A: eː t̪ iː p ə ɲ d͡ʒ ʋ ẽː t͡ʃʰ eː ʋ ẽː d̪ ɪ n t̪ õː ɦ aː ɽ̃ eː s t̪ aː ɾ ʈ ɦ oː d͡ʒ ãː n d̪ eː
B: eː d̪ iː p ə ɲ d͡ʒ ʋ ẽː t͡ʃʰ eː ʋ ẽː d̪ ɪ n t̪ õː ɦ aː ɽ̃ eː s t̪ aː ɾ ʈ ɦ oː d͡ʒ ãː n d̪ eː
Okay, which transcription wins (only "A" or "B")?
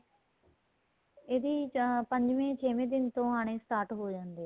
B